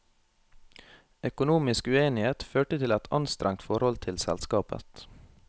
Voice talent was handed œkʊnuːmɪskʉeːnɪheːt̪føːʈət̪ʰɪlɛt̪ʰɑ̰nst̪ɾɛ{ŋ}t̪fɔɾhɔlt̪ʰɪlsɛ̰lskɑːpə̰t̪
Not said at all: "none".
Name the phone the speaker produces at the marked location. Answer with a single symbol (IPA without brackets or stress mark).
ŋ